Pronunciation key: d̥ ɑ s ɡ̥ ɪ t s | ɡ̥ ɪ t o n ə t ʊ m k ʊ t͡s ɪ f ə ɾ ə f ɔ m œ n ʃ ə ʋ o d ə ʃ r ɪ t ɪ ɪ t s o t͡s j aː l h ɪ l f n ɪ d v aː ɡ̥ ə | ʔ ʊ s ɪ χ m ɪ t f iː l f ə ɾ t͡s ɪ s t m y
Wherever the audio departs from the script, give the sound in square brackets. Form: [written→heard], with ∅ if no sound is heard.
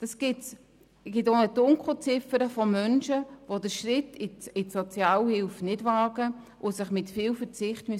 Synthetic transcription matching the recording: d̥ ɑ s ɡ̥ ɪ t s | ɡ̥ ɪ t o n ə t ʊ [m→ŋ] k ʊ t͡s ɪ f ə ɾ ə f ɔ m œ n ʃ ə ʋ o d ə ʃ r ɪ t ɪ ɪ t s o t͡s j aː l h ɪ l f n ɪ d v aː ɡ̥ ə | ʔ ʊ s ɪ χ m ɪ t f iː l f ə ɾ t͡s ɪ [s→χ] t m y